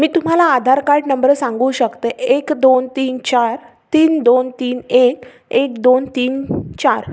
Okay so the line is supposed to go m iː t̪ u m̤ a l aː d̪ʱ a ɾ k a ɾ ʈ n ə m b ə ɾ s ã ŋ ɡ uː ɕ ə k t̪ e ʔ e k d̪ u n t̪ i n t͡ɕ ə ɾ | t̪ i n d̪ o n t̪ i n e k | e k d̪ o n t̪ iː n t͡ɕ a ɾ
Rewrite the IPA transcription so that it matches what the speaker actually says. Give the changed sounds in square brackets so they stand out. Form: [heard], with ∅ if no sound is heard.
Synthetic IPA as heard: m iː t̪ u m̤ a l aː d̪ʱ a ɾ k a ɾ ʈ n ə m b ə ɾ s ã ŋ ɡ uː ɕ ə k t̪ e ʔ e k d̪ [o] n t̪ [iː] n t͡ɕ [a] ɾ | t̪ [iː] n d̪ o n t̪ [iː] n e k | e k d̪ o n t̪ iː n t͡ɕ a ɾ